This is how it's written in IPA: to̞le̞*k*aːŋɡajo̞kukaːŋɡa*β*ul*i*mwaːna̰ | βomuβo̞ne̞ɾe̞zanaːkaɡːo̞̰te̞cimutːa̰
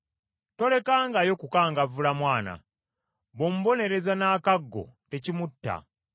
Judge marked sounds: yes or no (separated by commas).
yes, no, no